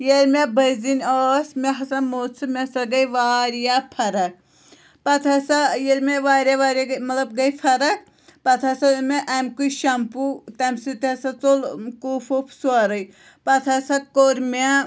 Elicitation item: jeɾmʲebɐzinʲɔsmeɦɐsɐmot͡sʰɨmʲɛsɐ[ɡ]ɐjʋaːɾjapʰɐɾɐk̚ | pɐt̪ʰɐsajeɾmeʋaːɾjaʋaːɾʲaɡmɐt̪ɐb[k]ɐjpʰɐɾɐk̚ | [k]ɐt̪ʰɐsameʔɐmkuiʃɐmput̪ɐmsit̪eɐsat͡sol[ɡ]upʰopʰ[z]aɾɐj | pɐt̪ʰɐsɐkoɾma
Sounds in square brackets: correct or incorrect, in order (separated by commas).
correct, incorrect, incorrect, incorrect, incorrect